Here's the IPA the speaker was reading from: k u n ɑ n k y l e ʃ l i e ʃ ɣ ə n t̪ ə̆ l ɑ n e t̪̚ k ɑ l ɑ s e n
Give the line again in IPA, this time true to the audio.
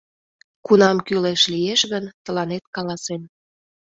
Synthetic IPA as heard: k u n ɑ m k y l e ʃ l i e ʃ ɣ ə n t̪ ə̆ l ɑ n e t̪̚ k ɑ l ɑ s e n

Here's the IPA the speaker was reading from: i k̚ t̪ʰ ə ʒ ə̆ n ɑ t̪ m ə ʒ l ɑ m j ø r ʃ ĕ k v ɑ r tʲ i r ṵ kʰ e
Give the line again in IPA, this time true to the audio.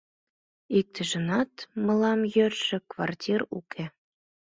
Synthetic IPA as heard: i k̚ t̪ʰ ə ʒ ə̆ n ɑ t̪ m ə l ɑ m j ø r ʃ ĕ k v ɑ r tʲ i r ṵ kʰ e

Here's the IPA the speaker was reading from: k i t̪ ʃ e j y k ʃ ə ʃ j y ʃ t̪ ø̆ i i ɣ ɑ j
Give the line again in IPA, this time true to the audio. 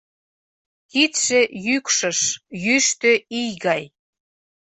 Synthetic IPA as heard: k i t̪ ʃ e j y k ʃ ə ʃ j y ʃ t̪ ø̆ i j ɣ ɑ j

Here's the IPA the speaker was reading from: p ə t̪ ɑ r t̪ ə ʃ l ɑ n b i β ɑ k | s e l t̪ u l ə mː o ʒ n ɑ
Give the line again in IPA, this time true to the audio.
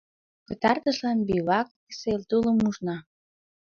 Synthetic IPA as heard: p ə t̪ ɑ r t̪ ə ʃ l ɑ n b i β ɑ k | s e l t̪ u l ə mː u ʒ n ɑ

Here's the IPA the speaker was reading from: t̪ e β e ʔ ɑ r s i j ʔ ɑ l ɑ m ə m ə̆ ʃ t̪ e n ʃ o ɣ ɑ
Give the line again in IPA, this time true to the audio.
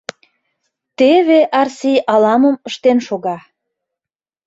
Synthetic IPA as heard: t̪ e β e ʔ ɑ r s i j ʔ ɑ l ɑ m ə m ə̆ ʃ t̪ e n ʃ o ɣ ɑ

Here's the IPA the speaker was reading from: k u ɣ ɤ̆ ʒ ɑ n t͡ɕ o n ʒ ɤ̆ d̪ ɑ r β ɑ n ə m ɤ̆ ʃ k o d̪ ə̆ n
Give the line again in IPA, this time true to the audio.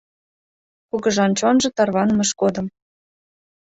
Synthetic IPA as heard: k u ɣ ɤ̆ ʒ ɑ n t͡ɕ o n ʒ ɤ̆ t̪ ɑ r β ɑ n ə m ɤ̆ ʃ k o d̪ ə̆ m

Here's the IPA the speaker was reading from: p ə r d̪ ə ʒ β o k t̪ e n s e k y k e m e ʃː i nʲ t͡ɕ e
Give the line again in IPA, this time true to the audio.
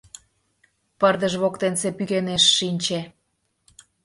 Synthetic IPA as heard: p ə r d̪ ə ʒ β o k t̪ e n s e p y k e n e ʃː i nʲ t͡ɕ e

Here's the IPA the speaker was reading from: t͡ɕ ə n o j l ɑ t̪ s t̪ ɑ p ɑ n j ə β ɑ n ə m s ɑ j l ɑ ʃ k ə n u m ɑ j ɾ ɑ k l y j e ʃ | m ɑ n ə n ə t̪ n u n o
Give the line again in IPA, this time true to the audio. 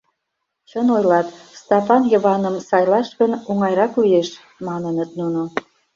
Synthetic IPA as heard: t͡ɕ ə n o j l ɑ t̪ s t̪ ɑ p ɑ n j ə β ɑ n ə m s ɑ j l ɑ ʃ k ə n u ŋ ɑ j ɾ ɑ k l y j e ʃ | m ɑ n ə n ə t̪ n u n o

